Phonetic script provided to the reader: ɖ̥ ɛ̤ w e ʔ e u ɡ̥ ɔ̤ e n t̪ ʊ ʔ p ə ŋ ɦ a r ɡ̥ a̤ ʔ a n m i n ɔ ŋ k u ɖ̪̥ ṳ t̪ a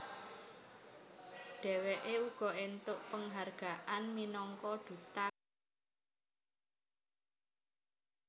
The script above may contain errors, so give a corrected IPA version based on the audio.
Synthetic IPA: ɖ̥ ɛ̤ w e ʔ e u ɡ̥ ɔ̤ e n t̪ ʊ ʔ p ə ŋ ɦ a r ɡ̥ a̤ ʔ a n m i n ɔ ŋ k ɔ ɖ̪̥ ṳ t̪ a